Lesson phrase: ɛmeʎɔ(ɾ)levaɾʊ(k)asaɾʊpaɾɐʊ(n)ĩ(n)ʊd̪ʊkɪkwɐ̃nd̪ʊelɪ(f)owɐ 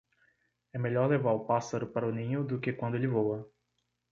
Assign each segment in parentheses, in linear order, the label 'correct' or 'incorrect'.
correct, incorrect: p, correct, incorrect: ɲ, incorrect: v

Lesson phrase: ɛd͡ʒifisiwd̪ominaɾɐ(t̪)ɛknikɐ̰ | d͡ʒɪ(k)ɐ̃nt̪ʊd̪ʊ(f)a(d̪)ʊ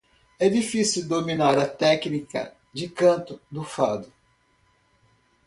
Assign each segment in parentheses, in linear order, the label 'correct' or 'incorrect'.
correct, correct, correct, correct

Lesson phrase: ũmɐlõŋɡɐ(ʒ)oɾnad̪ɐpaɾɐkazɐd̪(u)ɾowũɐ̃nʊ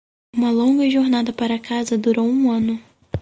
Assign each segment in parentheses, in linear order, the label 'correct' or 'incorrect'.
correct, correct

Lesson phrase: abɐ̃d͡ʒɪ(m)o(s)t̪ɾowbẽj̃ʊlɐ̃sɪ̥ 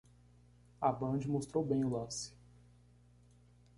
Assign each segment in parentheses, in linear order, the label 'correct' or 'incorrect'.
correct, correct

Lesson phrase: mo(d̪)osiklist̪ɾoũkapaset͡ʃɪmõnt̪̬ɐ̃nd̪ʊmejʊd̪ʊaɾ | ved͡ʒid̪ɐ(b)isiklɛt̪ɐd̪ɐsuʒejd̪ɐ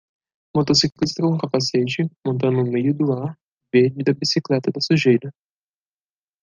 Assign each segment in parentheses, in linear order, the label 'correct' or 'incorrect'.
incorrect: t̪, correct

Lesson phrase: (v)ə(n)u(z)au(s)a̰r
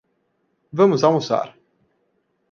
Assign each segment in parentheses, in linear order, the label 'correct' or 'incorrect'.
correct, incorrect: m, correct, correct

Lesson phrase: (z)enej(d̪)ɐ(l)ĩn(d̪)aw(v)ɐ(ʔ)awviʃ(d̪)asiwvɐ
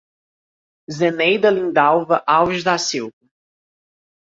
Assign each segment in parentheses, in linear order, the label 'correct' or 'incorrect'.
correct, correct, correct, correct, correct, correct, correct

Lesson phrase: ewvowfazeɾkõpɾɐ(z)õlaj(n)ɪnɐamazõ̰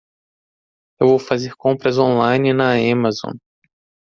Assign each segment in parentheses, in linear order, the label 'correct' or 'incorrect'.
correct, correct

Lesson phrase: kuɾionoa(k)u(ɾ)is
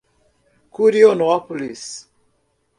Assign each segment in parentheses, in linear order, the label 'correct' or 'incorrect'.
incorrect: p, incorrect: l

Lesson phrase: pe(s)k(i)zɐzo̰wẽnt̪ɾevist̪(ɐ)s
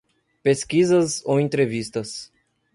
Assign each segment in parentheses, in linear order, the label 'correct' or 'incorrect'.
correct, correct, correct

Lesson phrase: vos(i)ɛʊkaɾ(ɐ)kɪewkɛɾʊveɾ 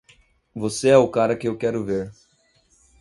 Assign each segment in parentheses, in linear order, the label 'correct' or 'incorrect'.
incorrect: e, correct

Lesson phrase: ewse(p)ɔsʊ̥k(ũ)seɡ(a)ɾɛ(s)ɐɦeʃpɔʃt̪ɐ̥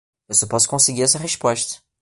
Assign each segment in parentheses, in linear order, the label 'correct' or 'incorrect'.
correct, incorrect: õ, incorrect: i, correct

